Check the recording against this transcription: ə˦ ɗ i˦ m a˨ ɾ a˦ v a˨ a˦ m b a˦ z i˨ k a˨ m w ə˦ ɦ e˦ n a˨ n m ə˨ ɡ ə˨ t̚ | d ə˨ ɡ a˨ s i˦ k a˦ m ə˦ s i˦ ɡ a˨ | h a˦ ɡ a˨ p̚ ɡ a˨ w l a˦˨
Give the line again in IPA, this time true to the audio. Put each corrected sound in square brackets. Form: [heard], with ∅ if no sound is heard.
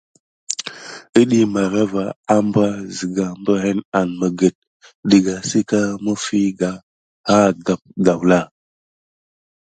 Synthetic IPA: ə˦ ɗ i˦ m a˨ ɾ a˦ v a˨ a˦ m b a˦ z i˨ [ɡ] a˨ m [b] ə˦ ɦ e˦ n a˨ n m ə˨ ɡ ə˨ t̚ | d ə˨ ɡ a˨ s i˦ k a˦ m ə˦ [f] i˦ ɡ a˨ | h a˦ ɡ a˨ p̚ ɡ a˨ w l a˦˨